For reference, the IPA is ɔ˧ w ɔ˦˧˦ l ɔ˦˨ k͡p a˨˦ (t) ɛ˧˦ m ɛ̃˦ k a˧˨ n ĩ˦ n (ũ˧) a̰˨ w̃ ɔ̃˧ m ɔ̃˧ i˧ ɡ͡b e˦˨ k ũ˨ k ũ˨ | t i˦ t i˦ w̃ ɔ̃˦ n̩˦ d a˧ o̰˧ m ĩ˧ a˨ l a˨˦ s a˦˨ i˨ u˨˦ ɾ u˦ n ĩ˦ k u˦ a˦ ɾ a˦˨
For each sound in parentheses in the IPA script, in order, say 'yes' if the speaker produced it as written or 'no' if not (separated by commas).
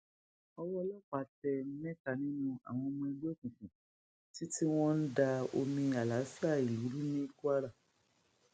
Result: yes, yes